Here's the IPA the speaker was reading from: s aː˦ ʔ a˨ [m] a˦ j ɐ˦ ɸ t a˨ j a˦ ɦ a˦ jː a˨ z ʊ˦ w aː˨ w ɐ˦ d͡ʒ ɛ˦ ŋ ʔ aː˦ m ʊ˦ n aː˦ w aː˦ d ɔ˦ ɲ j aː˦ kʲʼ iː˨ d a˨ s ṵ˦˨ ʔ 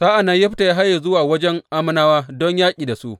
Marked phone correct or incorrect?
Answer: incorrect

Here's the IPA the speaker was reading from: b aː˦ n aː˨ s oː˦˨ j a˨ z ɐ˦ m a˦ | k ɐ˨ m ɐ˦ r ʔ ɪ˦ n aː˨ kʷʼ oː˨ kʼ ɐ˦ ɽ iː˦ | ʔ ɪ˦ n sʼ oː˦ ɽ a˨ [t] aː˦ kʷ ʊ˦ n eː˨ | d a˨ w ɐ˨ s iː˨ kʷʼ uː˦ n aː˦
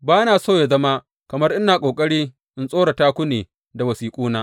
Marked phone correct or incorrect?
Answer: correct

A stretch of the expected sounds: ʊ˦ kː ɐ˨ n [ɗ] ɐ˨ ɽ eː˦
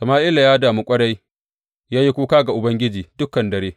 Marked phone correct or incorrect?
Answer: incorrect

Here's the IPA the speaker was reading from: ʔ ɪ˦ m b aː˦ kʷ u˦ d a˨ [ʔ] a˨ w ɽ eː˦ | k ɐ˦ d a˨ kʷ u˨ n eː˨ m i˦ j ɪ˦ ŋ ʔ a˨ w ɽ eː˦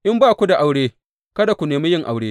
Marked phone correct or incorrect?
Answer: correct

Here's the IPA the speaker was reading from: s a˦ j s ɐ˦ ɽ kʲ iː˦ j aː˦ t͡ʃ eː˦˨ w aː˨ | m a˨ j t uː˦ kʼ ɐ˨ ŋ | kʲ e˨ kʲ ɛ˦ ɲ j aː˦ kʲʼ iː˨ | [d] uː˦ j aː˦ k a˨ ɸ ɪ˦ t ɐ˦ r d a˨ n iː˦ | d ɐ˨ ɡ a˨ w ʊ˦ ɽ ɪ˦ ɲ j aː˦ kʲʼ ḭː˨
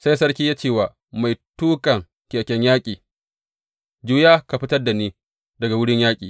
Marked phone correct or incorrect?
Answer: incorrect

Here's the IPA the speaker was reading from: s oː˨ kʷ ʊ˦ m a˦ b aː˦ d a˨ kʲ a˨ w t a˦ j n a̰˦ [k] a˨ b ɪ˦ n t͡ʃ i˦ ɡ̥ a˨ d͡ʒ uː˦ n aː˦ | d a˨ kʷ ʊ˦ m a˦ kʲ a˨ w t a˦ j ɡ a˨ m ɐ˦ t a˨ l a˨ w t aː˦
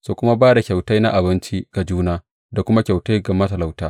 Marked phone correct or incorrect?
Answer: incorrect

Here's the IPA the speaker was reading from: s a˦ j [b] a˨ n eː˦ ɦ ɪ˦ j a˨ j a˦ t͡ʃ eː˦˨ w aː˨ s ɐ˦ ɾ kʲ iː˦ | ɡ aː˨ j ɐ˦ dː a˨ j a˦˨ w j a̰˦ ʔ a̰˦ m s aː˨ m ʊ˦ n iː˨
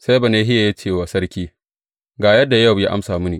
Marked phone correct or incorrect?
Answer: correct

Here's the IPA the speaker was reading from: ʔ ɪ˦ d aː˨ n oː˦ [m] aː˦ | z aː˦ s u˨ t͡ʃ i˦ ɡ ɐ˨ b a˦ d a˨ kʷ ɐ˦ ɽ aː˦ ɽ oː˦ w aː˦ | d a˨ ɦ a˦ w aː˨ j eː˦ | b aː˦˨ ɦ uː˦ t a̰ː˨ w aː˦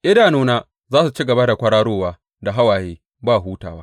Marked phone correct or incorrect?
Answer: incorrect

